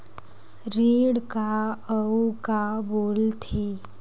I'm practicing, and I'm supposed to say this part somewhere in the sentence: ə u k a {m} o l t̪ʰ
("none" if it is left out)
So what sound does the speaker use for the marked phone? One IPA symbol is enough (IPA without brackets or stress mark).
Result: b